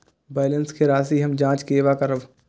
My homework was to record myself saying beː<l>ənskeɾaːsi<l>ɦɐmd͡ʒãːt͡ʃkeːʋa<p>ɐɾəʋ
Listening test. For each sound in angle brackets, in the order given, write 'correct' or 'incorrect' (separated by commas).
correct, incorrect, incorrect